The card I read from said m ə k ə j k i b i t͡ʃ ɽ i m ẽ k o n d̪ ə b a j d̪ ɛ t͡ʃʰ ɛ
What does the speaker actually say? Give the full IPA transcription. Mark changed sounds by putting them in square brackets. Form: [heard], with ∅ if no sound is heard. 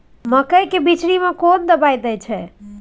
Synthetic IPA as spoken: m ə k ə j k [e] b i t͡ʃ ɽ i m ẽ k o n d̪ ə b a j d̪ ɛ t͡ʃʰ ɛ